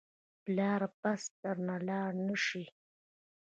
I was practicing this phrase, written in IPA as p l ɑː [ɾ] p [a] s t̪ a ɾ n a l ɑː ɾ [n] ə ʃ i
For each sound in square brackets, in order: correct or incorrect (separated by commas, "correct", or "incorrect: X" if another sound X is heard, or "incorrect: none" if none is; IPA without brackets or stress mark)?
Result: correct, correct, correct